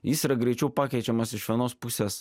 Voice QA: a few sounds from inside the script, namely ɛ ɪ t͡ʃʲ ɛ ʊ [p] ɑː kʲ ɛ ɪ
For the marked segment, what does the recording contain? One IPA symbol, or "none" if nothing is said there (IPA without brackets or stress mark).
p